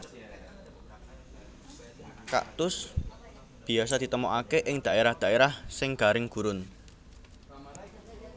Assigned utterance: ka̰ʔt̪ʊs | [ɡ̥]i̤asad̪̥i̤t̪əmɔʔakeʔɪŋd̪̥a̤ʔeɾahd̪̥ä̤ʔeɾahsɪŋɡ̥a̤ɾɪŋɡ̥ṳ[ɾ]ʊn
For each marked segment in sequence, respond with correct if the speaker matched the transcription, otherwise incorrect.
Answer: incorrect: b̥, correct

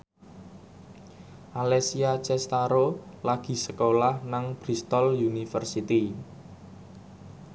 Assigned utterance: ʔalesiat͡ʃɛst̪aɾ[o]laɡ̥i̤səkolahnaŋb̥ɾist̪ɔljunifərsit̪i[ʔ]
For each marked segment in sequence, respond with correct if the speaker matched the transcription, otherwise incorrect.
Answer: correct, incorrect: none

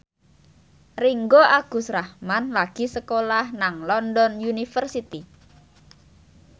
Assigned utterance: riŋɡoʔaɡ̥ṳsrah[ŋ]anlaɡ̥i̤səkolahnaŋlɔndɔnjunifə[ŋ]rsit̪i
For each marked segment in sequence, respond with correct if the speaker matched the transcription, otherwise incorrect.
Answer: incorrect: m, incorrect: none

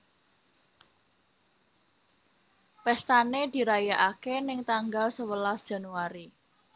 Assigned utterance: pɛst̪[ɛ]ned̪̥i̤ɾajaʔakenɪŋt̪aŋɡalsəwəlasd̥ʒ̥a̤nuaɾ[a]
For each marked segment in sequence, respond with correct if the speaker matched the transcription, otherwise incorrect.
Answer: incorrect: a, incorrect: i

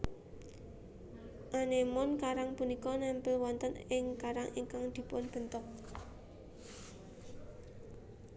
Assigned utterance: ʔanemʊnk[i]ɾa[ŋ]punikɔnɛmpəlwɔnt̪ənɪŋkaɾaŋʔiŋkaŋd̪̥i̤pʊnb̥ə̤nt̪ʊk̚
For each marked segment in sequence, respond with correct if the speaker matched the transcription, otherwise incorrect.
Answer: incorrect: a, correct

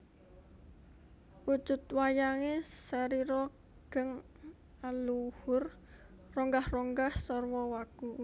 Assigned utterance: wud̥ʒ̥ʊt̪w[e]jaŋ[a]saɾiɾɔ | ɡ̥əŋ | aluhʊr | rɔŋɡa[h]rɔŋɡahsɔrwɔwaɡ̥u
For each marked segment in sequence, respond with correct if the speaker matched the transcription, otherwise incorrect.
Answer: incorrect: a, incorrect: e, correct

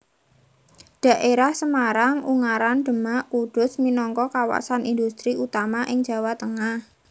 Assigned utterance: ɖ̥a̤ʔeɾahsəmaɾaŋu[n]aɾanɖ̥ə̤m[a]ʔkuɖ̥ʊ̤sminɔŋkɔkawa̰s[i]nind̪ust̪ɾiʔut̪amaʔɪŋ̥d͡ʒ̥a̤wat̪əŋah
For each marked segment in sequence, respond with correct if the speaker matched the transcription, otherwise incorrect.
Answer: incorrect: ŋ, correct, incorrect: a

